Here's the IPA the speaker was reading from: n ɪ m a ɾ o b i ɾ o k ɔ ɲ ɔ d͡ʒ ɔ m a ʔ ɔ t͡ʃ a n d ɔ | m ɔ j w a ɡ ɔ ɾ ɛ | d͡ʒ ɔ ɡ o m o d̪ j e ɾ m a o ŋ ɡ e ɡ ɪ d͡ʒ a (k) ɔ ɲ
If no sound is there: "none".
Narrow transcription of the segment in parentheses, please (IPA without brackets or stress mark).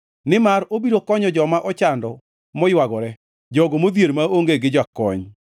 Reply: k